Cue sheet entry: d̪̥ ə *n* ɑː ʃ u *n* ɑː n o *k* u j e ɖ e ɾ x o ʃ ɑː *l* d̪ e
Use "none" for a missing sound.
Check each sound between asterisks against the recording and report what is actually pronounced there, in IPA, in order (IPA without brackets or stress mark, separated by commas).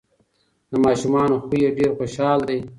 m, m, x, l